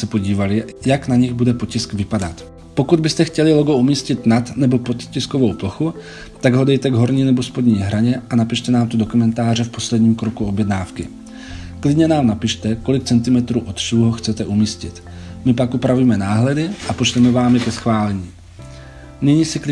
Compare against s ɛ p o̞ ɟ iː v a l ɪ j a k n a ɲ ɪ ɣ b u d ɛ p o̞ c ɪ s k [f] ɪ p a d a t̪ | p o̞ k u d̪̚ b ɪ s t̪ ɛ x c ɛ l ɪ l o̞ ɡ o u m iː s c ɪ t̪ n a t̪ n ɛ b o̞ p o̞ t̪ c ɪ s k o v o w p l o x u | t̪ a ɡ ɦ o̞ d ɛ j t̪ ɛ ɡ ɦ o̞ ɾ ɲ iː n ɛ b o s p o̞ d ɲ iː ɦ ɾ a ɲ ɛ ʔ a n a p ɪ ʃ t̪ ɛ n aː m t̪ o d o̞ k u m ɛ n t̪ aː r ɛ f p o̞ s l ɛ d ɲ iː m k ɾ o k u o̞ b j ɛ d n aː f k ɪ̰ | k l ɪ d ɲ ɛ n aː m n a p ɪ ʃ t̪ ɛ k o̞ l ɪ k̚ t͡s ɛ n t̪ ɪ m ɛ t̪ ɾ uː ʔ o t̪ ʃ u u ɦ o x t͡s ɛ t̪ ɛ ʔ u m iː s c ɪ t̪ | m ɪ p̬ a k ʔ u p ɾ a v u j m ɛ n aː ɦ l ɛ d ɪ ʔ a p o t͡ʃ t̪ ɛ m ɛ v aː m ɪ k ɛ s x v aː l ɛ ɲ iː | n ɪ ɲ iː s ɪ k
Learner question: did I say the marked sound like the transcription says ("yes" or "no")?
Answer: no